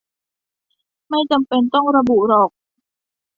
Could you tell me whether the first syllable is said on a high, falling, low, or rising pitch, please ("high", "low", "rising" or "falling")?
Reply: falling